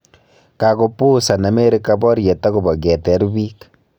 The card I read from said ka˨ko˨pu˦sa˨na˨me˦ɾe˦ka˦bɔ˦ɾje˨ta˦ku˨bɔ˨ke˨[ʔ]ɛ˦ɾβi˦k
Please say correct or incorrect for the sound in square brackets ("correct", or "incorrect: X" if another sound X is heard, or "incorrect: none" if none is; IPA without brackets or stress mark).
incorrect: t